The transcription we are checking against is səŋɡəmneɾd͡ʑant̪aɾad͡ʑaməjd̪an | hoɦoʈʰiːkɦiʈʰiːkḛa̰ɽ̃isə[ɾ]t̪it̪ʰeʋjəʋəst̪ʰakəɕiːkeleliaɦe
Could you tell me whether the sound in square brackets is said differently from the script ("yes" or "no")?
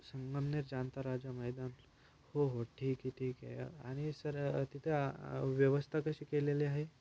no